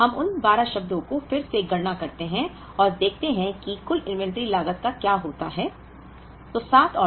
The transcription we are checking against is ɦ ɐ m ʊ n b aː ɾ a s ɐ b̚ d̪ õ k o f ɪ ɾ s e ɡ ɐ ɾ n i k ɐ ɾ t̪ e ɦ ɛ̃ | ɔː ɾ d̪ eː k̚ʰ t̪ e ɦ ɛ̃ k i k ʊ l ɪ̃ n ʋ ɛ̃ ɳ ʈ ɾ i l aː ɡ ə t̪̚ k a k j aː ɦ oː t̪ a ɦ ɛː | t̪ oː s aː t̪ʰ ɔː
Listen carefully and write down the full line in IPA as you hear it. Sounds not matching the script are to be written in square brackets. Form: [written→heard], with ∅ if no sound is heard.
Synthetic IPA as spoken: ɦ ɐ m ʊ n b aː ɾ a [s→ʃ] ɐ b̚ d̪ õ k o f ɪ ɾ s e ɡ ɐ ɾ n [i→a] k ɐ ɾ t̪ e ɦ ɛ̃ | ɔː ɾ d̪ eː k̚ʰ t̪ e ɦ ɛ̃ k i k ʊ l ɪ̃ n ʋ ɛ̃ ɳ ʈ ɾ i l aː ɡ ə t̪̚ k a k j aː ɦ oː t̪ a ɦ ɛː | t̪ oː s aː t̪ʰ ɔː